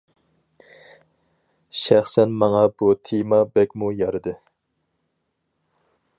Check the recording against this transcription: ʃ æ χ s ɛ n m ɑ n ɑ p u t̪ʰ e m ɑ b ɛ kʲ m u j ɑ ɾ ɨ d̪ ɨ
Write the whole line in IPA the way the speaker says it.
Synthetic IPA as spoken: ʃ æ χ s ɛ n m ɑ ŋ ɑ b u t̪ʰ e m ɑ b ɛ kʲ m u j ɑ ɾ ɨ d̪ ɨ